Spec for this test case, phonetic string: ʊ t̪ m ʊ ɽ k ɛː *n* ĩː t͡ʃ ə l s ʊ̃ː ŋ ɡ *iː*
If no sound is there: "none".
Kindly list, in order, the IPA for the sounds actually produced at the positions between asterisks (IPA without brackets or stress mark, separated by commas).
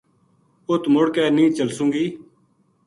n, iː